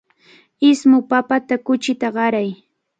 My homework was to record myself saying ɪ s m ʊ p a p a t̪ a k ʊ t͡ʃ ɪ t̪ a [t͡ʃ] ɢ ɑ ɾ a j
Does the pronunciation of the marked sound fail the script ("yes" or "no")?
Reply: yes